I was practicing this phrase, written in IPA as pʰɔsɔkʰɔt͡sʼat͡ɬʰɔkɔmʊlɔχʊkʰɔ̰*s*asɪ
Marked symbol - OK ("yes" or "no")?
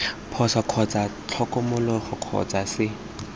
no